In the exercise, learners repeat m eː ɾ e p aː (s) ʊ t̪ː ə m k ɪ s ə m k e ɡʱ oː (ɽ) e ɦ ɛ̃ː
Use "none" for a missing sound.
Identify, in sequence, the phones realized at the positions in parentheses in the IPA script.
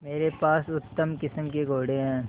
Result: s, ɽ

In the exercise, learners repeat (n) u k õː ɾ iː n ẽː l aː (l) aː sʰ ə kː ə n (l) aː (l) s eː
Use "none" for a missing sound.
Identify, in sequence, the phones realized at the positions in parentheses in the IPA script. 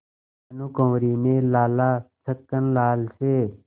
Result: n, l, l, l

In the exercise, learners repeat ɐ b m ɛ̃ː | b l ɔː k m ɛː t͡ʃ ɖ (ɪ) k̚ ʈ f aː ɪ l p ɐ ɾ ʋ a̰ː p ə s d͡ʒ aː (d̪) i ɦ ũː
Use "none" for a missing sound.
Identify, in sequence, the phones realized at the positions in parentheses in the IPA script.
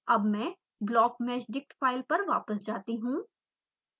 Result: ɪ, t̪

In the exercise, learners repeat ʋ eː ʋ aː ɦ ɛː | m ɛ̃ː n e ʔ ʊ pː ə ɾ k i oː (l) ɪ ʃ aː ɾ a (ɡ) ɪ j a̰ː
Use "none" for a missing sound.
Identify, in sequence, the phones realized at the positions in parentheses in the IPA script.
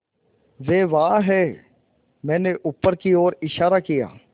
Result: ɾ, k

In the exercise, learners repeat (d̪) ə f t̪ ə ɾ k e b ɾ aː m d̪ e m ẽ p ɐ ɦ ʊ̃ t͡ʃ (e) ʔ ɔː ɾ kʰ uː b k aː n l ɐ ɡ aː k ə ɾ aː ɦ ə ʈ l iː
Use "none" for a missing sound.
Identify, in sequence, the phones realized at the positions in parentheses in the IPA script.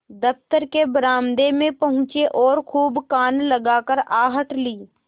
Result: d̪, e

